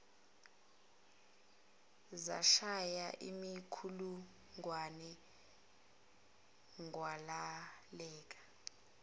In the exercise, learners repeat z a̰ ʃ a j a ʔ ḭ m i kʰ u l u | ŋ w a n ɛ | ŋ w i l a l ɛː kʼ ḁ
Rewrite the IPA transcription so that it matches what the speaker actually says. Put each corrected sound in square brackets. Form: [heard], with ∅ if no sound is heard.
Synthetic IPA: z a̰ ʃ a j a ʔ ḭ m i kʰ u l u | ŋ w a n ɛ | ŋ w [a] l a l ɛː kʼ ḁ